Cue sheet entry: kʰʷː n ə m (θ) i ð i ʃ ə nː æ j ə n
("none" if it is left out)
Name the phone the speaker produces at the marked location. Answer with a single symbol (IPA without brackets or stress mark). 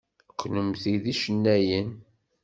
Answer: θ